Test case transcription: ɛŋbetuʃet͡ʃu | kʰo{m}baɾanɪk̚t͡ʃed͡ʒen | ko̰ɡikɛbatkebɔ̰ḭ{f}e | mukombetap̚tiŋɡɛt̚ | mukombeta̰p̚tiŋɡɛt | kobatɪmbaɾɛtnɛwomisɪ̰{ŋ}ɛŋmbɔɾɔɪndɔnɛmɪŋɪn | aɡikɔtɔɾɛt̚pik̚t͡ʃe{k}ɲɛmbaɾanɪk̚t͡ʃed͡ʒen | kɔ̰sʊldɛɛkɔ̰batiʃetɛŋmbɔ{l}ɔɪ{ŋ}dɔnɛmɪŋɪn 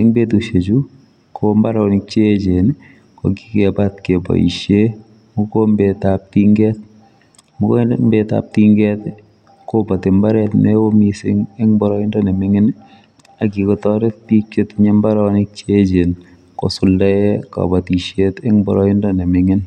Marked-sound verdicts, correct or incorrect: correct, incorrect, correct, incorrect, incorrect, incorrect

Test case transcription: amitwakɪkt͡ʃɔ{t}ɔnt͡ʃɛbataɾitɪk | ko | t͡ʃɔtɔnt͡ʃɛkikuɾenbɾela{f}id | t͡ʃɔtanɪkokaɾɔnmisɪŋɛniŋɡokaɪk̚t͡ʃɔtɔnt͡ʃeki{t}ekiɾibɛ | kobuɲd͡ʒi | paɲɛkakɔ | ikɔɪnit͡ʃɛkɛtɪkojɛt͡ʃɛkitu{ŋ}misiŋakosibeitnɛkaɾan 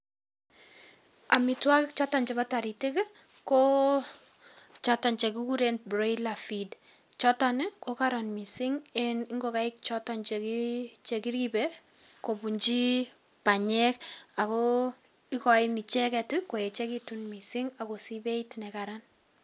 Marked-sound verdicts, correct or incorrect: correct, correct, incorrect, incorrect

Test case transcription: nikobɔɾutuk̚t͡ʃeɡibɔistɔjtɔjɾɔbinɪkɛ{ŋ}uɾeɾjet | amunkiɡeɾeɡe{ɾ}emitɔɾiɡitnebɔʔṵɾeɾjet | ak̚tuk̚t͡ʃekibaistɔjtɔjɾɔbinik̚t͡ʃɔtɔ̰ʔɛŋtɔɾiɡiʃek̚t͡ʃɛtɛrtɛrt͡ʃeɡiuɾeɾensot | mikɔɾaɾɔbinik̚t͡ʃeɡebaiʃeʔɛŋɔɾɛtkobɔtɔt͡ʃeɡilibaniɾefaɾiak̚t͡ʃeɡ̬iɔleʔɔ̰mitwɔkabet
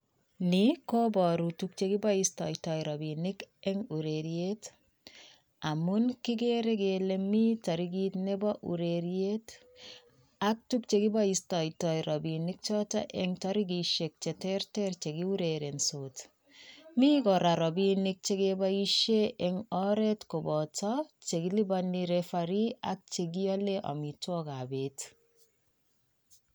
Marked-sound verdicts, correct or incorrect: correct, incorrect

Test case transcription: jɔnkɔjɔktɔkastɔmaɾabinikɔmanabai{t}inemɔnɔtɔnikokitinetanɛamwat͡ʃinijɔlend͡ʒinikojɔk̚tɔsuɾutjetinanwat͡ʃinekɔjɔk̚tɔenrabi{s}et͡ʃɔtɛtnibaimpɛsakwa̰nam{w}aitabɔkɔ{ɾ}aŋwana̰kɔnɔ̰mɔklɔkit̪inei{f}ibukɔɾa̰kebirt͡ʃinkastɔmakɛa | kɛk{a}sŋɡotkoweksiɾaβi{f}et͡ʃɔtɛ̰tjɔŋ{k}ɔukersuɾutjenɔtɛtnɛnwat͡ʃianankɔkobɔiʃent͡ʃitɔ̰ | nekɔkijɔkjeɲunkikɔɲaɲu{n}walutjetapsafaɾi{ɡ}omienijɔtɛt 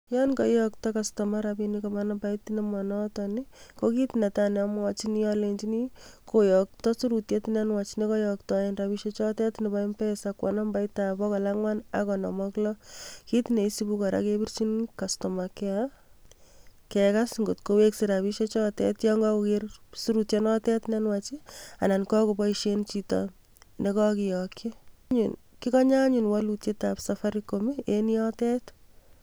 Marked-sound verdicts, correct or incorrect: correct, incorrect, incorrect, incorrect, incorrect, correct, incorrect, incorrect, correct, incorrect

